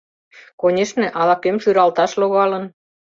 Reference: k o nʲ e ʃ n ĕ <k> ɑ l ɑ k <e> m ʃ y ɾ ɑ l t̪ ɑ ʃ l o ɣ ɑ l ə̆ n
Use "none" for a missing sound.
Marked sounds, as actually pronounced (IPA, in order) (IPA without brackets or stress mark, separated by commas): ʔ, e